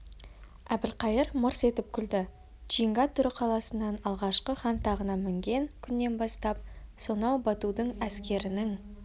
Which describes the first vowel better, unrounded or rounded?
unrounded